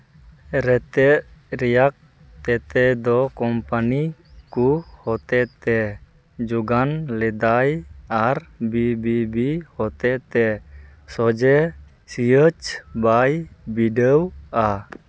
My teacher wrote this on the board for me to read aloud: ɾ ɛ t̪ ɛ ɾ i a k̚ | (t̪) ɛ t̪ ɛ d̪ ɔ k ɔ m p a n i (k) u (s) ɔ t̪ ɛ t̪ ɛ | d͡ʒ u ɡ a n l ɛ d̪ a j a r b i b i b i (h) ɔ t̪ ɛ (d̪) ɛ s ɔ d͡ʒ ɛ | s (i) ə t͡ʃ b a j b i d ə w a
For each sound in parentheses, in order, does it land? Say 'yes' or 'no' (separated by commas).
yes, yes, no, yes, no, yes